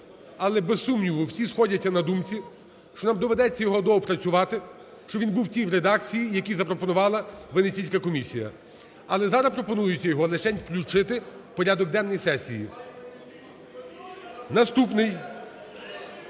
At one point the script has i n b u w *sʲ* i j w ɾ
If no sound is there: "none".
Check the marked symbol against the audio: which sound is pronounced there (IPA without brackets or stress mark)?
tʲ